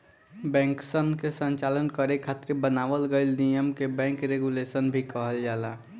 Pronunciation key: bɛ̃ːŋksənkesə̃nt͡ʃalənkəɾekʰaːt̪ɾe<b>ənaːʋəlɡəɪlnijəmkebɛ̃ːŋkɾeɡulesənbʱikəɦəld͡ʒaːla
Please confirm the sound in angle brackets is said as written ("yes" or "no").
yes